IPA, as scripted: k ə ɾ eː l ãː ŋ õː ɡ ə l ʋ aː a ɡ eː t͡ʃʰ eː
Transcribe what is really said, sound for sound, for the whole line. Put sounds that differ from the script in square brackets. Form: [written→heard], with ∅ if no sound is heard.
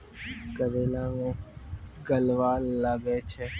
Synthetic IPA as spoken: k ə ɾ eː l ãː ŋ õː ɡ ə l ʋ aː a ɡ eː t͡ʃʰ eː